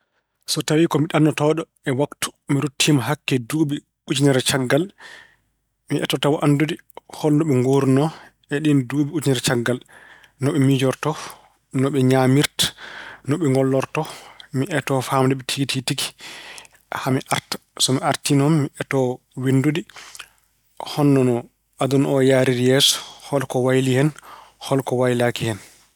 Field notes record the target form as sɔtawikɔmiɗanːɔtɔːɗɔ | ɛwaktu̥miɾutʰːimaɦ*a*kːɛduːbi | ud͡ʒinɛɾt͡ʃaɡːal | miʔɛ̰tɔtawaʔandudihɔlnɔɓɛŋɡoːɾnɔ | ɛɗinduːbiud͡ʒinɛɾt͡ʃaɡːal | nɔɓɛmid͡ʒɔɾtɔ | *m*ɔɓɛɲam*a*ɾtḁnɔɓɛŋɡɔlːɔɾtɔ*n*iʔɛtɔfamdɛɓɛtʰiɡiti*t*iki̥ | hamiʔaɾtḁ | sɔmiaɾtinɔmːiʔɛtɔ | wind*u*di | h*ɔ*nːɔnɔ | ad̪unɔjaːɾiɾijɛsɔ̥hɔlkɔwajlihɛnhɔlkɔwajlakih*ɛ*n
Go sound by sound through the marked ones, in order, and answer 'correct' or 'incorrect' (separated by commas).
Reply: correct, incorrect, incorrect, incorrect, correct, correct, correct, correct